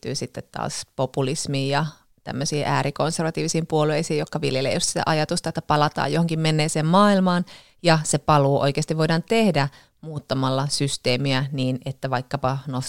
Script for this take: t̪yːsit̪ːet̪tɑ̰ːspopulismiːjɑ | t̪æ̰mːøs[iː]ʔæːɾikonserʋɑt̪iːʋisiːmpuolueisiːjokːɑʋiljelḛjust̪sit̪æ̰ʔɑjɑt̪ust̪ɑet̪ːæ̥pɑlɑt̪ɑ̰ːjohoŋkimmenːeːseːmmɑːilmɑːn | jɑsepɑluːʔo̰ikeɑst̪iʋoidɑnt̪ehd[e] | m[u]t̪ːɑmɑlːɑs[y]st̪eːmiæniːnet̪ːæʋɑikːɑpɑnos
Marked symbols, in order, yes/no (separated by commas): yes, no, no, yes